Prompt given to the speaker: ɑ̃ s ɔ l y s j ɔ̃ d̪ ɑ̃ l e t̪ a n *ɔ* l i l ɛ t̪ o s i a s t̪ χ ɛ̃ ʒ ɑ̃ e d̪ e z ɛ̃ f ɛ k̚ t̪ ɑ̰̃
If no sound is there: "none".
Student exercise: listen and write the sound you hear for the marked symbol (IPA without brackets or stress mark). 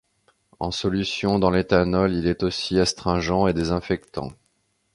ɔ